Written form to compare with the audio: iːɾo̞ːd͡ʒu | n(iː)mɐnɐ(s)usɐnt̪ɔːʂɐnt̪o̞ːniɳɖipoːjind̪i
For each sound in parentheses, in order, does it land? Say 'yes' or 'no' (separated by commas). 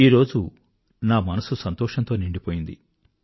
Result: no, yes